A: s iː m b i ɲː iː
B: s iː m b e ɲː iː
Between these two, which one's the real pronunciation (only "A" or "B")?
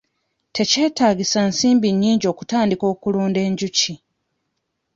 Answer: A